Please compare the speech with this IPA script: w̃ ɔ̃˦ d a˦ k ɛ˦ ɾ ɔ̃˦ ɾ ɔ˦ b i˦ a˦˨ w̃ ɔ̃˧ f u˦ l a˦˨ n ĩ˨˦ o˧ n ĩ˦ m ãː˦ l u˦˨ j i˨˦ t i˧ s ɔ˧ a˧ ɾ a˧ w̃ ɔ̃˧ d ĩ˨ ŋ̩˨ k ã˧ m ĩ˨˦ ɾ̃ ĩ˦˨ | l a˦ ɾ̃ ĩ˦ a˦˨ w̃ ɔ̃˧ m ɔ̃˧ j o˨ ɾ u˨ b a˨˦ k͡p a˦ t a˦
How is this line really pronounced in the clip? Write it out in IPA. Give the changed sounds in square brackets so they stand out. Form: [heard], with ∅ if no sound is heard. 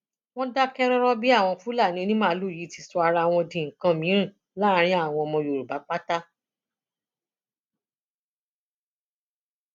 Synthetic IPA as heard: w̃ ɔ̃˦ d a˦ k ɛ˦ ɾ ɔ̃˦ ɾ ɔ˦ b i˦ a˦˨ w̃ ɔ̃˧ f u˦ l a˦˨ n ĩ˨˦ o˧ n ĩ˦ m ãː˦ l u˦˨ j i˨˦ t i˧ s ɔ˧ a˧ ɾ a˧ w̃ ɔ̃˧ d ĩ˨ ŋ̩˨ k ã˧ m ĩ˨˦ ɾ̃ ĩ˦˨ | l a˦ ɾ̃ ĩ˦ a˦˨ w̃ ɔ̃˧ m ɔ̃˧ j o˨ ɾ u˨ b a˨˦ k͡p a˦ t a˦